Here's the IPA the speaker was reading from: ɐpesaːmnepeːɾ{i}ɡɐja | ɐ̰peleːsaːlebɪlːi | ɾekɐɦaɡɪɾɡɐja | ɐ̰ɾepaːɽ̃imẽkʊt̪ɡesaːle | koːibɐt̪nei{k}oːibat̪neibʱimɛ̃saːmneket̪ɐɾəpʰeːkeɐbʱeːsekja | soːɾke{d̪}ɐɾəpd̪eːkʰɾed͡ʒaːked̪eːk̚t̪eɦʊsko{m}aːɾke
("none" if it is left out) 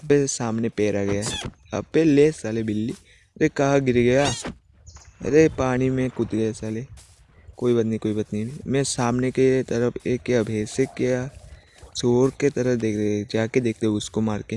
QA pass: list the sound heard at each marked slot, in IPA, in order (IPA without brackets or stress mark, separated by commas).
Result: a, k, t̪, m